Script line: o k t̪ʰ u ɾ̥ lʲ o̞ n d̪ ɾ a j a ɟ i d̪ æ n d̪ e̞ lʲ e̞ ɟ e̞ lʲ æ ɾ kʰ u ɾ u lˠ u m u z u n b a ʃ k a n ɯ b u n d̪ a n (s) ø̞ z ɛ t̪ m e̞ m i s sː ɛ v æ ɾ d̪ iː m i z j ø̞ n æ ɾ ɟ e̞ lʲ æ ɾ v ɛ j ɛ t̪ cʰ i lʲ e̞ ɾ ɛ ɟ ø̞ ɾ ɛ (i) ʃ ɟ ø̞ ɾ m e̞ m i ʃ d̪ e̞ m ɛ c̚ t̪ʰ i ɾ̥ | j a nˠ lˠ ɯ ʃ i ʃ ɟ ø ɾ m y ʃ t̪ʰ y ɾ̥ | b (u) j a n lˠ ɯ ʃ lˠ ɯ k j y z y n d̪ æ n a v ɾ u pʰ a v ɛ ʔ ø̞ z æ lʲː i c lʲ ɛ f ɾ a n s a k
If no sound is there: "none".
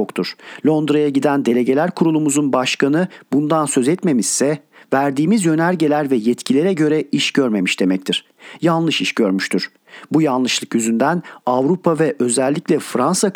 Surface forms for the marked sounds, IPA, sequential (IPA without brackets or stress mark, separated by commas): s, i, u